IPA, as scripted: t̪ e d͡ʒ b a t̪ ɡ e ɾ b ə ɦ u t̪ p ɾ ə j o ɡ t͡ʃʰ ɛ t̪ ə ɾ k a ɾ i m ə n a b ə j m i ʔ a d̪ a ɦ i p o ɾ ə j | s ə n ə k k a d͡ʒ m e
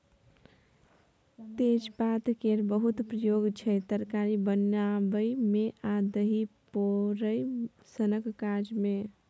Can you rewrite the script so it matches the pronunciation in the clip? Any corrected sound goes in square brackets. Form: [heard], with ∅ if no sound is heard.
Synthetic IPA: t̪ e d͡ʒ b a t̪ [k] e ɾ b ə ɦ u t̪ p ɾ ə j o ɡ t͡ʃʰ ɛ t̪ ə ɾ k a ɾ i [b] ə n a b ə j m [e] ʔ a d̪ [ə] ɦ i p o ɾ ə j | s ə n ə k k a d͡ʒ m e